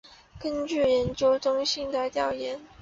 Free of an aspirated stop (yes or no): yes